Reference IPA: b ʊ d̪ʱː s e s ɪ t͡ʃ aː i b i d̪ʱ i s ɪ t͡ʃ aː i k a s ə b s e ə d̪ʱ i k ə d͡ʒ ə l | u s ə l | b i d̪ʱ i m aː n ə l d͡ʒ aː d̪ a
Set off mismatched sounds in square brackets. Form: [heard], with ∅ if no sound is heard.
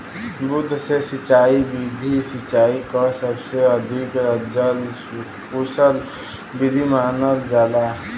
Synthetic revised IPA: b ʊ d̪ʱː s e s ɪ t͡ʃ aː i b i d̪ʱ i s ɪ t͡ʃ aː i k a s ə b s e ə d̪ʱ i k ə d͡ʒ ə l | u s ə l | b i d̪ʱ i m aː n ə l d͡ʒ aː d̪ a